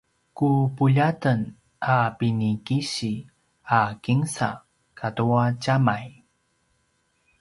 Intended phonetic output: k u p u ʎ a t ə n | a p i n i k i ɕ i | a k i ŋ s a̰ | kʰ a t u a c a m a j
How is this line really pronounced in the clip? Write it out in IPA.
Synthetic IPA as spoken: k u p u ʎ a t ə n | a p i n i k i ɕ i | a k i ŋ s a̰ | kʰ a t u a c a m a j